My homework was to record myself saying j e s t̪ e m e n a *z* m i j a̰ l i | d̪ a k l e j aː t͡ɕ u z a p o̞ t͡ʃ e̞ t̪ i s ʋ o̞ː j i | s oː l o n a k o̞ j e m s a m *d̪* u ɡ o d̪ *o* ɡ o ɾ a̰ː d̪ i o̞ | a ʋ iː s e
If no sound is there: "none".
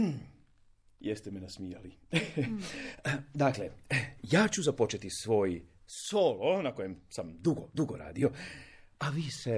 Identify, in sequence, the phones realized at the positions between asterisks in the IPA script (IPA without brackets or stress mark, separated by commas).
s, d̪, u